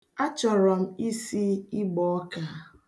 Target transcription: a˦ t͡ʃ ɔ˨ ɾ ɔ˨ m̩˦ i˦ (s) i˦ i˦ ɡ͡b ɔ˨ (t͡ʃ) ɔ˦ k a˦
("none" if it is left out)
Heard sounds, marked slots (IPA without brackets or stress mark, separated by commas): s, none